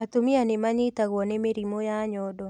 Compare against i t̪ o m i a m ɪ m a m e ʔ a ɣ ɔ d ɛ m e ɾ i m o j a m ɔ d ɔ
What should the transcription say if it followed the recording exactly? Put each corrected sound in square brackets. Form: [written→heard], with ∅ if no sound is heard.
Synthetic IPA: [i→a] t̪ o m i a [m→n] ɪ m a [m→ɲ] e [ʔ→t] a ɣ ɔ [d→n] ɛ m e ɾ i m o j a [m→ɲ] ɔ d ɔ